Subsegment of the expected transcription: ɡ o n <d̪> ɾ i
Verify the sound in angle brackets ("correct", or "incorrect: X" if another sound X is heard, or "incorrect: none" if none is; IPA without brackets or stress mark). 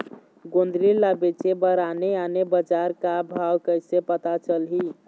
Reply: correct